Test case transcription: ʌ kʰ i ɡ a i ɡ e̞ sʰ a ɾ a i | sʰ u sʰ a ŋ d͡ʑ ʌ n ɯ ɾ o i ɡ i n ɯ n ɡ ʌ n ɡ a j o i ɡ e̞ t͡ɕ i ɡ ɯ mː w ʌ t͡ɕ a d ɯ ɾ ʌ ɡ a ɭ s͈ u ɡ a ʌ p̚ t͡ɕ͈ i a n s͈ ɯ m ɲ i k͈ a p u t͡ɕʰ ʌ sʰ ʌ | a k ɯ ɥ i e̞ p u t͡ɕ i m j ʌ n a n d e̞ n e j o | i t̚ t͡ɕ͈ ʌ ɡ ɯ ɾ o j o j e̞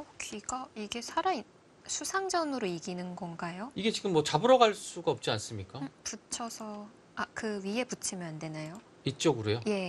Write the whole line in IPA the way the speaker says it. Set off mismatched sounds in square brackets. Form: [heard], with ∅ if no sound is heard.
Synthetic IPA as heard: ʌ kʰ i ɡ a i ɡ e̞ sʰ a ɾ a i | sʰ u sʰ a ŋ d͡ʑ ʌ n ɯ ɾ o i ɡ i n ɯ n ɡ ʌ n ɡ a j o i ɡ e̞ t͡ɕ i ɡ ɯ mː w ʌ t͡ɕ a [b] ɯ ɾ ʌ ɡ a ɭ s͈ u ɡ a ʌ p̚ t͡ɕ͈ i a n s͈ ɯ m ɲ i k͈ a p u t͡ɕʰ ʌ sʰ ʌ | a k ɯ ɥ i e̞ p u [t͡ɕʰ] i m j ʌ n a n d e̞ n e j o | i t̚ t͡ɕ͈ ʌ ɡ ɯ ɾ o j o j e̞